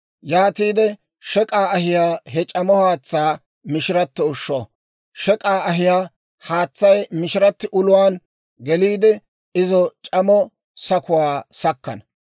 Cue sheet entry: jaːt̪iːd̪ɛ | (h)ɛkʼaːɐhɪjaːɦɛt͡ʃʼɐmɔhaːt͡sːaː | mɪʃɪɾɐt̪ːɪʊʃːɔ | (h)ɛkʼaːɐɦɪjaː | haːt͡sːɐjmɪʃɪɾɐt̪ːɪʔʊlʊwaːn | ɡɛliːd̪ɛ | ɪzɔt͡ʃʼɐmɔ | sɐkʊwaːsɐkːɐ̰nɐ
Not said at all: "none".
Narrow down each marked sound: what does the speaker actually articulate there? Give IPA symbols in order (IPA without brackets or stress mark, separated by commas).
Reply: ʃ, ʃ